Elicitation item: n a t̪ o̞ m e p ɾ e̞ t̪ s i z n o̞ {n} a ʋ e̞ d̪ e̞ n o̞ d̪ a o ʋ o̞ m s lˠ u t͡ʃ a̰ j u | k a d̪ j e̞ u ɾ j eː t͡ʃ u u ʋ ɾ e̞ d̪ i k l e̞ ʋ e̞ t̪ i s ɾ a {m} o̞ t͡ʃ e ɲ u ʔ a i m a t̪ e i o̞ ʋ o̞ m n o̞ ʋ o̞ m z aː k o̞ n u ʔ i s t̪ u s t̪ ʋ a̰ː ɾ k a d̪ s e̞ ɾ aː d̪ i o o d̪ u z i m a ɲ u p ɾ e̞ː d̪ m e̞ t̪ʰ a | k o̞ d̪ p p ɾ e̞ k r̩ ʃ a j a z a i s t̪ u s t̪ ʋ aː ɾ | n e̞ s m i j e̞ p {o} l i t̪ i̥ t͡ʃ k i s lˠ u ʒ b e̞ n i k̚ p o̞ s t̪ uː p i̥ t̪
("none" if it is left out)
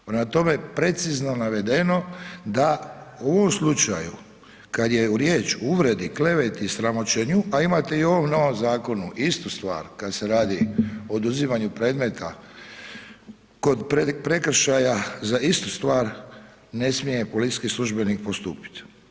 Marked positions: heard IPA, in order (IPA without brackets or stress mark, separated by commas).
n, m, o